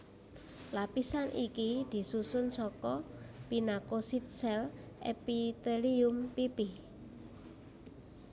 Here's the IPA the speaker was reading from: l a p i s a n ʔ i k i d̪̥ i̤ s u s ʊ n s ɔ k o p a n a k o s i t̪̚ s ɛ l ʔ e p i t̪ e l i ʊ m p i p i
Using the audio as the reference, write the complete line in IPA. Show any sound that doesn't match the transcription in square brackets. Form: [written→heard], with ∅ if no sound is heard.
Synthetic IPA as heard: l a p i s a n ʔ i k i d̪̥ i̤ s u s ʊ n s ɔ k [o→ɔ] p [a→i] n a k o s i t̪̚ s ɛ l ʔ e p i t̪ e l i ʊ m p i p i